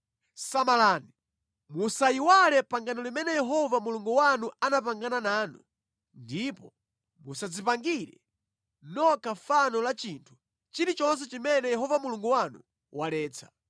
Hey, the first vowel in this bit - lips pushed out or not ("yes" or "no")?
no